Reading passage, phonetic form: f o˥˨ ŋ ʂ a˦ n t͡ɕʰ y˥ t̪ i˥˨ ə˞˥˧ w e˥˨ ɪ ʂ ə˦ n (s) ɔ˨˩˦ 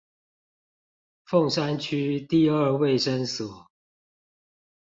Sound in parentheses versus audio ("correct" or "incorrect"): correct